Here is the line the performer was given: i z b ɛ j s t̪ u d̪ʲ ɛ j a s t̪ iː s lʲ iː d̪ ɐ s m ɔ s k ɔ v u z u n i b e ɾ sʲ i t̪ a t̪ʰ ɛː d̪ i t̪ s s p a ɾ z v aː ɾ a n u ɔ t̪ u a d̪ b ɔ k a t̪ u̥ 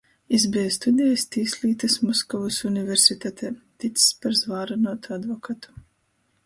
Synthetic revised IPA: i z b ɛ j s t̪ u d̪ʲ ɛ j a s t̪ iː s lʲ iː t̪ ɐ s m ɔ s k ɔ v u s u n i v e ɾ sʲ i t̪ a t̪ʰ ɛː t̪ i t̪ s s p a ɾ z v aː ɾ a n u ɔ t̪ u a d̪ v ɔ k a t̪ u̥